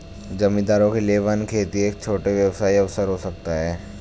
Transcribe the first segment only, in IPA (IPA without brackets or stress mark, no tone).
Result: d͡ʒ